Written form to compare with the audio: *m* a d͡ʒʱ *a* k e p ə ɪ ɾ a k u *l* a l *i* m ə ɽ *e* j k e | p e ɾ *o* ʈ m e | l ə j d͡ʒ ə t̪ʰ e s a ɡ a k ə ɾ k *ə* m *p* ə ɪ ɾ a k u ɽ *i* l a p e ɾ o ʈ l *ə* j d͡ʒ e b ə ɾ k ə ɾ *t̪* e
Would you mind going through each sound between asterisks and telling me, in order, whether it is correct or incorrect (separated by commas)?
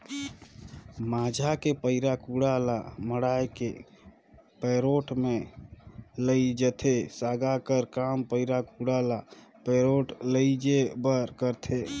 correct, correct, incorrect, incorrect, incorrect, correct, incorrect, correct, incorrect, correct, incorrect